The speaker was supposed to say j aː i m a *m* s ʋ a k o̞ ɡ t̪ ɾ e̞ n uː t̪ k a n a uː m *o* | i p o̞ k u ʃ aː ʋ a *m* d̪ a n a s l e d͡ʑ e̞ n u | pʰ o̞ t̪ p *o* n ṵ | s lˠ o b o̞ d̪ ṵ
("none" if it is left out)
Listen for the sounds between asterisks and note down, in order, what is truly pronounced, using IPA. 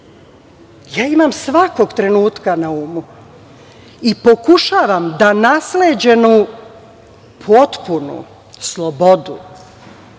m, u, m, u

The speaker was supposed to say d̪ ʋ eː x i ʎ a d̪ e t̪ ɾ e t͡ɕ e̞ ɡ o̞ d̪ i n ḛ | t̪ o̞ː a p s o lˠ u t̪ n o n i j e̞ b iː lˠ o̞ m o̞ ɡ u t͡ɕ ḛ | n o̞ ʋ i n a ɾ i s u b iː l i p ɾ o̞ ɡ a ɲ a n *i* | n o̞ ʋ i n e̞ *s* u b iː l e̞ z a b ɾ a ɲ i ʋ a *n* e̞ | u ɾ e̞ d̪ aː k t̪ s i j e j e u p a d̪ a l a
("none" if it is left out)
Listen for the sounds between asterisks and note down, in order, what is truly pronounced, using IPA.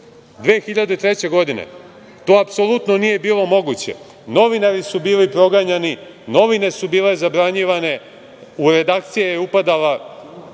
i, s, n

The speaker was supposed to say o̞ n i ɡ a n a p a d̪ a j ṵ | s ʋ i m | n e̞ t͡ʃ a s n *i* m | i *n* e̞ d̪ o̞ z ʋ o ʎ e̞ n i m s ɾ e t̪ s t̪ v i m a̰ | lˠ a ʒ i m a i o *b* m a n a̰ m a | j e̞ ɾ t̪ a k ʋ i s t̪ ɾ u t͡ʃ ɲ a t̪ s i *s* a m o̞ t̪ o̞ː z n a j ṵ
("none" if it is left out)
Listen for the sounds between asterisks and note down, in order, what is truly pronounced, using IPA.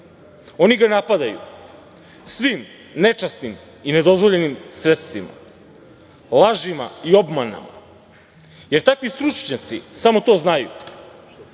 i, n, b, s

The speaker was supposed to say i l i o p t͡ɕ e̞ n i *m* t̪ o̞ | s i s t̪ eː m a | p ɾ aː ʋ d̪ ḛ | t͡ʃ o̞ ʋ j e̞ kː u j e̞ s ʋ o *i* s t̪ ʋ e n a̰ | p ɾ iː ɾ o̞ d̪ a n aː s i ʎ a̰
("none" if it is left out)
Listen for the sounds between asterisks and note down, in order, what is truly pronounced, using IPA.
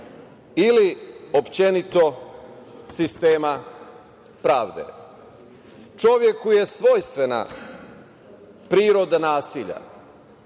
none, j

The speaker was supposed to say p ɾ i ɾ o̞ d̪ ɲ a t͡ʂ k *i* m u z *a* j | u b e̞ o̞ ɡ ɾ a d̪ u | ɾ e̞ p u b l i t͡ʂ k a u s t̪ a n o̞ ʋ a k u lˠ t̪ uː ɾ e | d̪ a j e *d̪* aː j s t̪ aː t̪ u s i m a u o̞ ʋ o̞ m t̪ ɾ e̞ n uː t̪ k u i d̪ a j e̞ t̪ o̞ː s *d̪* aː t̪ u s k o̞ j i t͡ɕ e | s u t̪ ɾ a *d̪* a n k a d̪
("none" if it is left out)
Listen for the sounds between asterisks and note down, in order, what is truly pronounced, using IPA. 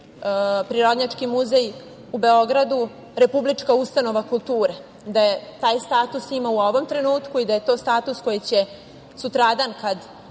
i, e, t̪, t̪, d̪

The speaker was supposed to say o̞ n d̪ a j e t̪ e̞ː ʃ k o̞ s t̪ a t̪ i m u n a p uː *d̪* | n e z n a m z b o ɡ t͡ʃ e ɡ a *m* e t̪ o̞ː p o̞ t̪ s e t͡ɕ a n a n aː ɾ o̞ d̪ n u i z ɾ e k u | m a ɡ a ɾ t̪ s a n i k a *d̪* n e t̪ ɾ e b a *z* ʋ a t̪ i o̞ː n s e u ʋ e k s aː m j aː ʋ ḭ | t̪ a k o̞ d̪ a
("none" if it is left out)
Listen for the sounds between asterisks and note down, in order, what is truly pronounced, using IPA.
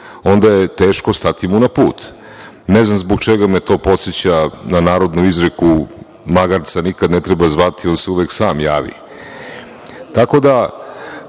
t̪, m, d̪, z

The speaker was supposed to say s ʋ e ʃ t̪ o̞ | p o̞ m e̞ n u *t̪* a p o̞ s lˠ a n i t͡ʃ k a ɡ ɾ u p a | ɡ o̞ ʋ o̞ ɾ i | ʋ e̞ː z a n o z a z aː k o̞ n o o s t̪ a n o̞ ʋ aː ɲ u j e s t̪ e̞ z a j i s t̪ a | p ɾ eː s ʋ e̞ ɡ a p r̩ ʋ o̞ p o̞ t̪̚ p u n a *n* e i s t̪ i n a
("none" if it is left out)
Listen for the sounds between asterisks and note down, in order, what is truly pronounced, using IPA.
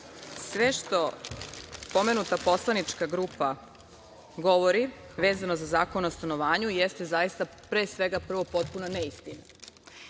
t̪, n

